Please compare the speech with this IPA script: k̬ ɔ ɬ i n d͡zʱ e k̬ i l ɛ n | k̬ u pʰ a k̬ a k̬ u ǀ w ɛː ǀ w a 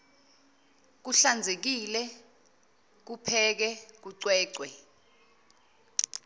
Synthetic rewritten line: k̬ u ɬ a n d͡zʱ e k̬ i l ɛ | k̬ u pʰ ɛ k̬ ɛ k̬ u ǀ w ɛː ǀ w ɛ